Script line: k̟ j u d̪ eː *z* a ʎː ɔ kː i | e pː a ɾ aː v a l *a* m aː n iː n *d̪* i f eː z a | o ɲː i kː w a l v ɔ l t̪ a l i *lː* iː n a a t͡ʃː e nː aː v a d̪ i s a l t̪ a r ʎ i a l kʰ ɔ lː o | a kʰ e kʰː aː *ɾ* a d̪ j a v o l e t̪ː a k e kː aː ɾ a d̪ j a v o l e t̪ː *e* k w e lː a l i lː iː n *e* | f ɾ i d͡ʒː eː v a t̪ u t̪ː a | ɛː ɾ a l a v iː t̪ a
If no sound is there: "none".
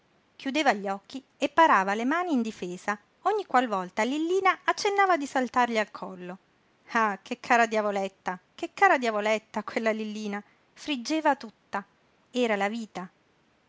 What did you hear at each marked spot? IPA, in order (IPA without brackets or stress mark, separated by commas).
v, e, d̪, lː, ɾ, a, a